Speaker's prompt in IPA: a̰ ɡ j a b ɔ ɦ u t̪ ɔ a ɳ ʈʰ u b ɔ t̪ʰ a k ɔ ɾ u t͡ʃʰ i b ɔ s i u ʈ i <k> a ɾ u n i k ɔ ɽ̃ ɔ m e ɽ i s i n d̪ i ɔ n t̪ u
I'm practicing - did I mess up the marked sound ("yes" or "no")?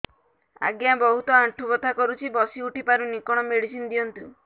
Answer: yes